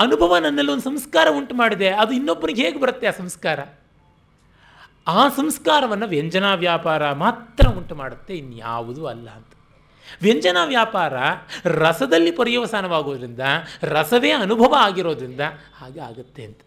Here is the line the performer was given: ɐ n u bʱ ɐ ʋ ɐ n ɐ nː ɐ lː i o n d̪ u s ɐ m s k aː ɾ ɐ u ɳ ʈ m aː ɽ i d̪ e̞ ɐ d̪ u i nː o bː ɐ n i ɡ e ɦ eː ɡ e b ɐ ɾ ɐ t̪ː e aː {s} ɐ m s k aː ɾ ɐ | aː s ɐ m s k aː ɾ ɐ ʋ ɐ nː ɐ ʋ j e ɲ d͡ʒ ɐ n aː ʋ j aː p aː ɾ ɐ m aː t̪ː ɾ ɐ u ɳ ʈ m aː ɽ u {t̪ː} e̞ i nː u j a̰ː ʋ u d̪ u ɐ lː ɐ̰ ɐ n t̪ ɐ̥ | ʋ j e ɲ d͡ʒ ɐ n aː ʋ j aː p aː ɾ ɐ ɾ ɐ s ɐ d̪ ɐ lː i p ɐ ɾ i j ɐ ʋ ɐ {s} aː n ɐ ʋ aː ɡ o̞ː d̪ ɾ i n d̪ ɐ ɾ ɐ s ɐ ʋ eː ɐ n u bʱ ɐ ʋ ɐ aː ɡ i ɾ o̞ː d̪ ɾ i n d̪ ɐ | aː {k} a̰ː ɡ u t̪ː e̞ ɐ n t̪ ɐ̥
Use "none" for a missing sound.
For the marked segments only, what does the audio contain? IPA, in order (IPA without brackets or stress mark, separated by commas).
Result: s, t̪ː, s, ɡ